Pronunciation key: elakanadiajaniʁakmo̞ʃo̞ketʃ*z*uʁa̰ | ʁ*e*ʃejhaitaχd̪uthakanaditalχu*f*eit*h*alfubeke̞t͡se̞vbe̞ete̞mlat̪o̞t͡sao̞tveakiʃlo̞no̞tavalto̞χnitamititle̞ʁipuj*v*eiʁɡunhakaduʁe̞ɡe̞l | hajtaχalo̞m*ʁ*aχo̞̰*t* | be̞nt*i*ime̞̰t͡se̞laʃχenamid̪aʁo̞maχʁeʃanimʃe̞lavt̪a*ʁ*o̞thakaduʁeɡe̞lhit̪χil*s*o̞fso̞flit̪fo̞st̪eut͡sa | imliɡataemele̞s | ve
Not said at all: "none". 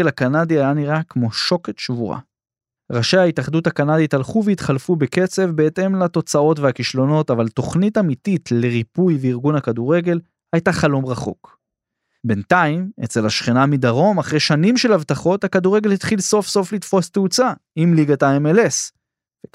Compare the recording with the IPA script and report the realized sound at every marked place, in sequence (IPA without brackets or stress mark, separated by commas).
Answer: v, a, v, χ, v, ʁ, k, a, χ, s